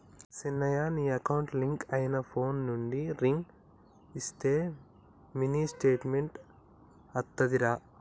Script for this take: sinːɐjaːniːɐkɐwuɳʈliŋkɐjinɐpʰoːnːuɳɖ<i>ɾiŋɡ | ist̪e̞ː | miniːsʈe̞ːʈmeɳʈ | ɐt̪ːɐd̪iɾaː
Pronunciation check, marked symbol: correct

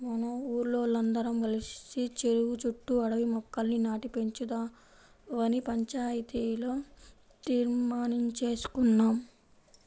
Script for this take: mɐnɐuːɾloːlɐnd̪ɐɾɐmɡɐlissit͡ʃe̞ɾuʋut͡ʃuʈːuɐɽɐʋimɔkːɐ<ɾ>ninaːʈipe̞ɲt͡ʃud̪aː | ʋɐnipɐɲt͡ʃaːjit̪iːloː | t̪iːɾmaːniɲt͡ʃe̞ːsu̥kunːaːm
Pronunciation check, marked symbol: incorrect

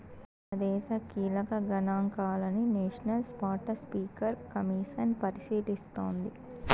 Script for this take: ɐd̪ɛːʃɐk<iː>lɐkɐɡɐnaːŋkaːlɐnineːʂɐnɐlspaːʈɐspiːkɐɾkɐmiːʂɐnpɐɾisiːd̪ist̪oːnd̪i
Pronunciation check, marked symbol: correct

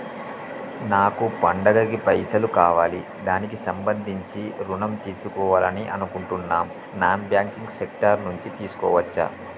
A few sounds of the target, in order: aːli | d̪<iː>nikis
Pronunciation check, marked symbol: incorrect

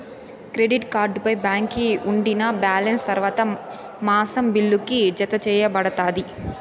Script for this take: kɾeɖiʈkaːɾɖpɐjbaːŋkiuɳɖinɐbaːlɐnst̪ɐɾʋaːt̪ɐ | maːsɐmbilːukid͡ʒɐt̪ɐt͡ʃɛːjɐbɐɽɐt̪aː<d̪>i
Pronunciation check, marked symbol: correct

